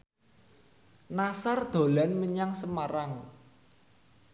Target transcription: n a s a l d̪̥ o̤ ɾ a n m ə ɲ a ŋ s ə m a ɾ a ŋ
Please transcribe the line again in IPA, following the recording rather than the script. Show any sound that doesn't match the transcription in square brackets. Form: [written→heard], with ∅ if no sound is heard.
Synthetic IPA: n a s a [l→r] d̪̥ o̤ [ɾ→l] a n m ə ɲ a ŋ s ə m a ɾ a ŋ